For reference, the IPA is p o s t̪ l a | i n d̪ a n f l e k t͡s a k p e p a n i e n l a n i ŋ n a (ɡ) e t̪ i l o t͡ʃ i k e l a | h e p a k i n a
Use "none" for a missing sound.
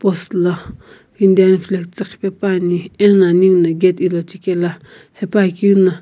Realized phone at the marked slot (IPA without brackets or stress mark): ɡ